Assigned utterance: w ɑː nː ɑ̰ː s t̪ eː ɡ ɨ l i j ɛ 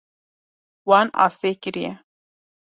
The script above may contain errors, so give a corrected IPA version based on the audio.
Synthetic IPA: w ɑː n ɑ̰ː s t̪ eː k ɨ ɾ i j ɛ